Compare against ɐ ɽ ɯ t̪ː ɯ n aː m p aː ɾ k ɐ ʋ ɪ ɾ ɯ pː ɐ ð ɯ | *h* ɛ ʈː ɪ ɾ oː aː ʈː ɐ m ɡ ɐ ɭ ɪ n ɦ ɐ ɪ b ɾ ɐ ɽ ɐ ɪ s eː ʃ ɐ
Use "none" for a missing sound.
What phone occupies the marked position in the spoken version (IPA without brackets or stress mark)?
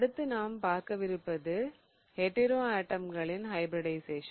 h